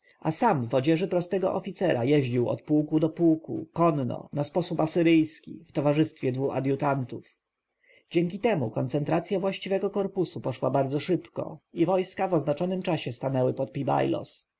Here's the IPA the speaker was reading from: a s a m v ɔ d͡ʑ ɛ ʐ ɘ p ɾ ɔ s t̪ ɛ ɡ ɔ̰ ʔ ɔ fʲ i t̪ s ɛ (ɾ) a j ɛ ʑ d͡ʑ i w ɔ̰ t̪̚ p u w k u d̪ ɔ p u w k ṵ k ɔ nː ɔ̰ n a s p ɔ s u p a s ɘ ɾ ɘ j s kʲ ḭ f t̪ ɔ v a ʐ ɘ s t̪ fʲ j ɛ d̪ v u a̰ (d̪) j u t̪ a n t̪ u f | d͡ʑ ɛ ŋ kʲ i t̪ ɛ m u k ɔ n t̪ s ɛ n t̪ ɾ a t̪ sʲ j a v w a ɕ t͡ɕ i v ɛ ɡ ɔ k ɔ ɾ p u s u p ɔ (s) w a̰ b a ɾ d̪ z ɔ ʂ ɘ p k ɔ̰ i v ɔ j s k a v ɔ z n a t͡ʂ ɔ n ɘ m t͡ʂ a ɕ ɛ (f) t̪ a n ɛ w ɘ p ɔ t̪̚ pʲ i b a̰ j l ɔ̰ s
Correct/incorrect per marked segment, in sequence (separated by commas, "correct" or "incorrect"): correct, correct, incorrect, incorrect